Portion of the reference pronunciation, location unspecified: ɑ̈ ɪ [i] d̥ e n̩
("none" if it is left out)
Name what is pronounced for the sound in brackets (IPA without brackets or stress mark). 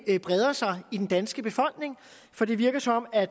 i